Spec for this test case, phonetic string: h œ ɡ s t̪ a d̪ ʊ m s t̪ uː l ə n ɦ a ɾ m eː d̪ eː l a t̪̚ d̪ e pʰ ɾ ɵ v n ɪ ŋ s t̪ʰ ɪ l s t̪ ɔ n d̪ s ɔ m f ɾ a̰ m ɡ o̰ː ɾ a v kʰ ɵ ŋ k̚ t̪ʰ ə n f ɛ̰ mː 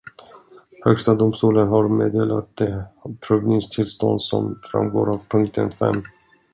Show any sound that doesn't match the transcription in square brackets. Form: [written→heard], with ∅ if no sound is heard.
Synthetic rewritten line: h œ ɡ s t̪ a d̪ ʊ m s t̪ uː l ə n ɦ a ɾ m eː d̪ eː l a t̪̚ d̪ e pʰ ɾ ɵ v n ɪ ŋ s t̪ʰ ɪ l s t̪ ɔ n d̪ s ɔ m f ɾ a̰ m ɡ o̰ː ɾ a v [kʰ→pʰ] ɵ ŋ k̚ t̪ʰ ə n f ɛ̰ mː